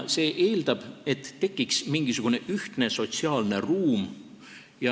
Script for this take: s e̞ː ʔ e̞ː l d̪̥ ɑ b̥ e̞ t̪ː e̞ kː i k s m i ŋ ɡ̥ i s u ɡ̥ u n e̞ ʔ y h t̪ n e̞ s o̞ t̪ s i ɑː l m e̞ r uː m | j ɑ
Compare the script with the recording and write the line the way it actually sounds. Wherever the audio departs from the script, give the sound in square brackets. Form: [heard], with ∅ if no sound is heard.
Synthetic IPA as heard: s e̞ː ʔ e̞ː l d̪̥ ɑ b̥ e̞ t̪ː e̞ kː i k s m i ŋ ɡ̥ i s u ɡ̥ u n e̞ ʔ y h t̪ n e̞ s o̞ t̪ s i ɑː l [n] e̞ r uː m | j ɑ